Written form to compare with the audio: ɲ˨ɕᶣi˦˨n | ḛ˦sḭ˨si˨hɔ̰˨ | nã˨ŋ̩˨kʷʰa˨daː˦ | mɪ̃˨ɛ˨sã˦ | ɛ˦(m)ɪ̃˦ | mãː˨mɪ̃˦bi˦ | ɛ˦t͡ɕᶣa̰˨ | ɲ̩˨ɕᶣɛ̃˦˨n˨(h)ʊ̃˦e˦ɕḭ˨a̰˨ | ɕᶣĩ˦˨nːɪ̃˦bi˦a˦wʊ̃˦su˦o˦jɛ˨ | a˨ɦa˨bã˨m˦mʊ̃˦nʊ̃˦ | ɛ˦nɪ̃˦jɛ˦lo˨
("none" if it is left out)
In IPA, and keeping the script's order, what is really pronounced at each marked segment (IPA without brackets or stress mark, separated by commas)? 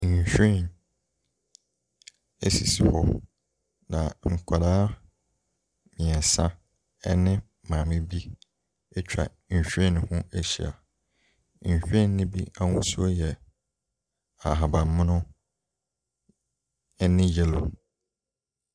n, h